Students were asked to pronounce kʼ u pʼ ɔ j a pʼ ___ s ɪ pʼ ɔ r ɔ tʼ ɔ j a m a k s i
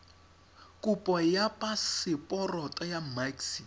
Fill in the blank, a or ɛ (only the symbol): a